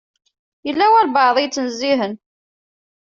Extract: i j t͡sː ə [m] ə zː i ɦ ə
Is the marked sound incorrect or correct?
incorrect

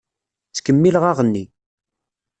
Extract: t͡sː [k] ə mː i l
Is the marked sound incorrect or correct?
correct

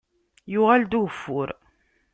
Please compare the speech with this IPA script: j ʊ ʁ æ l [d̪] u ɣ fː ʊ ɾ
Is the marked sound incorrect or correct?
correct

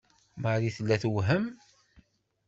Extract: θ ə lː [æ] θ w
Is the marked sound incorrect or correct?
correct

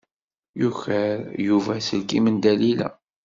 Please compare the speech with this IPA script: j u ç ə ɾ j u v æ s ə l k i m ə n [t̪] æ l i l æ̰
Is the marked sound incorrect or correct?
incorrect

